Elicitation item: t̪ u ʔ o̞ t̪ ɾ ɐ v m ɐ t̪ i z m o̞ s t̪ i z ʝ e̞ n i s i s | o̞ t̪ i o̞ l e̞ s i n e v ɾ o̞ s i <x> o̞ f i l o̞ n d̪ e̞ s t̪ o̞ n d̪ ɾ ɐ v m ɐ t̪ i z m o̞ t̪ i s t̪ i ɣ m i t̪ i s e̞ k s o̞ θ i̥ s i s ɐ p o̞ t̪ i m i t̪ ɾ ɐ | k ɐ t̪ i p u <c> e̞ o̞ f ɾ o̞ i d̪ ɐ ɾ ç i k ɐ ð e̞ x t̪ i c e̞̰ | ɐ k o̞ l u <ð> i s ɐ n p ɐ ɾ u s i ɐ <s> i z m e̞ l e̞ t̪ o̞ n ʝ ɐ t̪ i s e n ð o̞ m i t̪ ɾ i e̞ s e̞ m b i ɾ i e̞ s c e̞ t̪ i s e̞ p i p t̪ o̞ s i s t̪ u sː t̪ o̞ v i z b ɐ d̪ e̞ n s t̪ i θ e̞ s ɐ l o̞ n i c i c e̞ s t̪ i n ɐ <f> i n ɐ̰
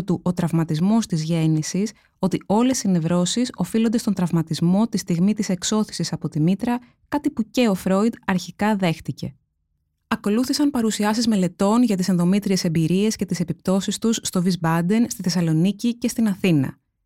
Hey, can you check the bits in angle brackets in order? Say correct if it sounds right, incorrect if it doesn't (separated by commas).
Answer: incorrect, correct, incorrect, correct, incorrect